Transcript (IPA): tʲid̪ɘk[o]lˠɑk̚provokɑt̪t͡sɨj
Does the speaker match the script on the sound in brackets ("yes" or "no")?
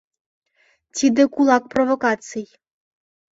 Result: no